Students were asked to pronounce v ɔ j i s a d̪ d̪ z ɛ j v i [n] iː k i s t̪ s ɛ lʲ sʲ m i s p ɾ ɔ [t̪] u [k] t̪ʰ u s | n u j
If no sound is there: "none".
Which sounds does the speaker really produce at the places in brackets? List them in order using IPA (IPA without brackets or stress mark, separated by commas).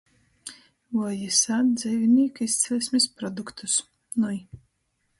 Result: n, d̪, k